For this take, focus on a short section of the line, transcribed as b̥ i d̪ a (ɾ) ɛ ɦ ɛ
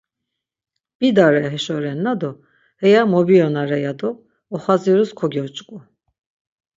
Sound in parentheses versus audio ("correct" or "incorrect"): correct